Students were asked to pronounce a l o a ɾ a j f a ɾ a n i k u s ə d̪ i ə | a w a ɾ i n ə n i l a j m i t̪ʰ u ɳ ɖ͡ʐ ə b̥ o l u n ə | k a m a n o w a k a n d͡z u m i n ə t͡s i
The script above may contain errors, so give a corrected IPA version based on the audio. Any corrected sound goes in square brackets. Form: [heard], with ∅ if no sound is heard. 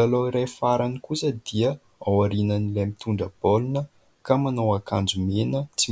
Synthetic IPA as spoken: a l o [i] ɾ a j f a ɾ a n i k u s ə d̪ i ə | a w a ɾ i n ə n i l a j m i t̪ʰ u ɳ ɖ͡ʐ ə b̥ o l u n ə | k a m a n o w a k a n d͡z u m [e] n ə t͡s i